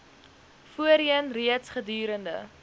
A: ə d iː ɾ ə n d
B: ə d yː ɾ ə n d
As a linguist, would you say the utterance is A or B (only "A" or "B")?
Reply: B